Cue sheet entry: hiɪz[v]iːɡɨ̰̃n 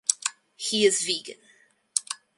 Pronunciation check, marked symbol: correct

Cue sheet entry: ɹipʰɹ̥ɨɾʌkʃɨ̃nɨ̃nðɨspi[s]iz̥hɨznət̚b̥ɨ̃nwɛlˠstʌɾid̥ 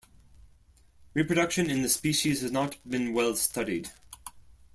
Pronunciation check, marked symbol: incorrect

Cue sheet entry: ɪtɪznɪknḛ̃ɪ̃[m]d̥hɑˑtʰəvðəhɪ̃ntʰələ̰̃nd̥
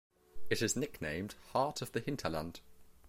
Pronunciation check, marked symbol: correct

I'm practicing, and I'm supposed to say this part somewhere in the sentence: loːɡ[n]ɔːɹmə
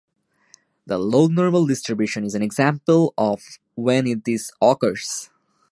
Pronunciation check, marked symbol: correct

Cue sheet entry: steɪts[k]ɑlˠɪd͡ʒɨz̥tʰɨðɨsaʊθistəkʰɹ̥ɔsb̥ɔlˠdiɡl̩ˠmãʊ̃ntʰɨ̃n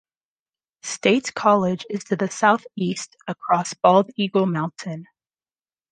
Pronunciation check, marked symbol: incorrect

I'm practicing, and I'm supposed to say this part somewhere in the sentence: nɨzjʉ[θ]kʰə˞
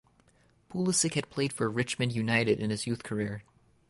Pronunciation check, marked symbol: correct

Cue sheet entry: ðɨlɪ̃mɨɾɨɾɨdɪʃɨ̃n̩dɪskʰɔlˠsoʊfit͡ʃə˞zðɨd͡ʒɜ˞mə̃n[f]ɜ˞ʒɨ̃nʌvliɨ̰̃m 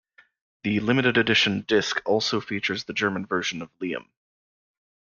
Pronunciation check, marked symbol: incorrect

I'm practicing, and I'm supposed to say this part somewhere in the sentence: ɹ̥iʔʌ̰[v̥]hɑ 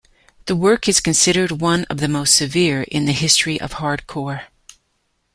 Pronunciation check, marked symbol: correct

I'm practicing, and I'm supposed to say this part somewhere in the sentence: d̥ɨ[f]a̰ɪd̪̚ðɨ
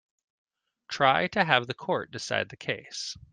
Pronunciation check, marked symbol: incorrect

